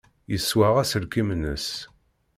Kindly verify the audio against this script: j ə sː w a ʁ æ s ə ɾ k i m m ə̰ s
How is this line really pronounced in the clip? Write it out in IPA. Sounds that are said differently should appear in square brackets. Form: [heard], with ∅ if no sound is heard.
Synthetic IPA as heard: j ə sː w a ʁ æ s ə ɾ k i m [n] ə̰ s

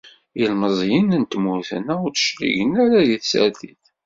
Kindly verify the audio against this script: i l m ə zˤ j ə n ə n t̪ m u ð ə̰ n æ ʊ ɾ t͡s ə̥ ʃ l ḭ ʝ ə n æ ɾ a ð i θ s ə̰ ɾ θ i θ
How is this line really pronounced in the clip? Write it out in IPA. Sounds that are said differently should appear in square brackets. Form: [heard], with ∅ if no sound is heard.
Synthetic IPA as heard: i l m ə zˤ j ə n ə n t̪ m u [θ] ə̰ n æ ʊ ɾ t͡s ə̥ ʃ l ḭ ʝ ə n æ ɾ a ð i θ s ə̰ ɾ θ i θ

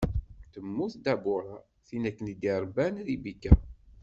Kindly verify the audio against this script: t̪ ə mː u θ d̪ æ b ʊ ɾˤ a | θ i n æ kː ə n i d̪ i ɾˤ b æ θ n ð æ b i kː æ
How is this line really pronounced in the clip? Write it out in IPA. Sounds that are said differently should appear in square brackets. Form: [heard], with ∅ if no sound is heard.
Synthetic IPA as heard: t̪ ə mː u θ d̪ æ b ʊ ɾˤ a | θ i n æ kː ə n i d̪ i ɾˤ b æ [∅] n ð [i] b i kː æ

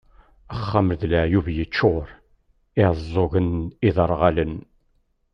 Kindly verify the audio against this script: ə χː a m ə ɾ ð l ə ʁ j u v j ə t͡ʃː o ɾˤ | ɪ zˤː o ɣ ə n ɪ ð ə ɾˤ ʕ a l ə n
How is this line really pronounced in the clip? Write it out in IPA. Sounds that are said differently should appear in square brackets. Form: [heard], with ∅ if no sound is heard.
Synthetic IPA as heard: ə χː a m ə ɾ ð l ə [ʕ] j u v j ə t͡ʃː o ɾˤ | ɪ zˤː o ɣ ə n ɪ ð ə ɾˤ [ʁ] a l ə n

